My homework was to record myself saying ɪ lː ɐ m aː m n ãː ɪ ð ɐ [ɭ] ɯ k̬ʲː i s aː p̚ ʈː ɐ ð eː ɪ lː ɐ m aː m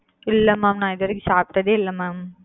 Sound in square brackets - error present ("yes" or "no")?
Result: yes